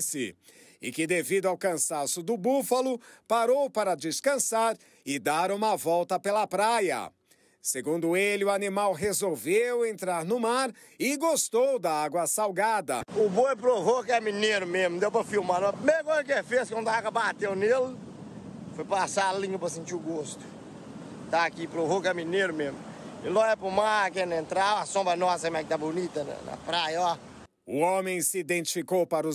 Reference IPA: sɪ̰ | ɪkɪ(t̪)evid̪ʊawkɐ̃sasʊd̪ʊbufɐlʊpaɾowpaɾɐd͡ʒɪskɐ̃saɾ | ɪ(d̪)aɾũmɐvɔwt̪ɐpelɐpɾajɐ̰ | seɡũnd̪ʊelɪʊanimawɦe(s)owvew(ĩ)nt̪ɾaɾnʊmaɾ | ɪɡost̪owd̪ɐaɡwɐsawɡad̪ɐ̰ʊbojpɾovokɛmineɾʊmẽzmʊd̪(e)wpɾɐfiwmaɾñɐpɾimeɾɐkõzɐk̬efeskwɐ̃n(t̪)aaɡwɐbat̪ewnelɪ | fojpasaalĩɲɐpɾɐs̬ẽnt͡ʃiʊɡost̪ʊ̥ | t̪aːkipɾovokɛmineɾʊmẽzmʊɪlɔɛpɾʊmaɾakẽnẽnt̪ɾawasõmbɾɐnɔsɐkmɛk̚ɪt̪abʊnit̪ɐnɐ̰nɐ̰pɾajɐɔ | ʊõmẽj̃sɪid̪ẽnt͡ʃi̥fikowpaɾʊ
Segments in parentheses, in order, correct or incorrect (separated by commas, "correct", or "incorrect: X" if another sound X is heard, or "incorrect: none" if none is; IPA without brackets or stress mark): incorrect: d̪, correct, incorrect: z, incorrect: ẽ, correct, incorrect: d̪